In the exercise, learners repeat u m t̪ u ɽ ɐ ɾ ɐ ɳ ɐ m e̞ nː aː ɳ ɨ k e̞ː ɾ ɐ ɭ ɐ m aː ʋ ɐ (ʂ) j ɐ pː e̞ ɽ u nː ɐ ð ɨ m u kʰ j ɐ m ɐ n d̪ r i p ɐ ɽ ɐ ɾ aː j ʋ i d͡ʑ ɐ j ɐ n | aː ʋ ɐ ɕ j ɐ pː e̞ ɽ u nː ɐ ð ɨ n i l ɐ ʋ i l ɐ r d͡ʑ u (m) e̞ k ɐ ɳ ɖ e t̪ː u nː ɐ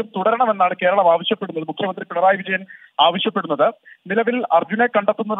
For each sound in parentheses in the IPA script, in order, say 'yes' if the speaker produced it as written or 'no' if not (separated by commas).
no, no